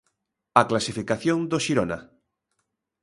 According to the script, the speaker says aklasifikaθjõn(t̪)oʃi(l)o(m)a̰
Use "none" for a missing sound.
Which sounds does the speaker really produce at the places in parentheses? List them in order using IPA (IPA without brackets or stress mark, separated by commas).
d̪, ɾ, n